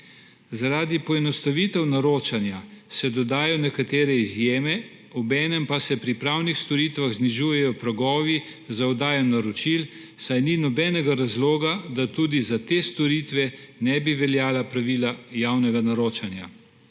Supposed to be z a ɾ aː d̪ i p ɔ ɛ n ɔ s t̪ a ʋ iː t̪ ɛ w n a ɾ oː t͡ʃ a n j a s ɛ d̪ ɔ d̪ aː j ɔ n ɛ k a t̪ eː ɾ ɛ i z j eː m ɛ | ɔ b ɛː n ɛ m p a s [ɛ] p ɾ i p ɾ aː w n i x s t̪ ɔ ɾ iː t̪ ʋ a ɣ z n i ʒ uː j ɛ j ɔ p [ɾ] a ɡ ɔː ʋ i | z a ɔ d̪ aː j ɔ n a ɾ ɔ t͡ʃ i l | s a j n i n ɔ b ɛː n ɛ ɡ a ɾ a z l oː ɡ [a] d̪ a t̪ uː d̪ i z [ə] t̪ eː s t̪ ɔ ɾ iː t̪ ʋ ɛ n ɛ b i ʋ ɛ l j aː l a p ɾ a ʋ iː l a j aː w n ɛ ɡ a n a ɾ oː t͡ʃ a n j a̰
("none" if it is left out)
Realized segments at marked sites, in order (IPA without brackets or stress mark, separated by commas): ɛ, ɾ, a, a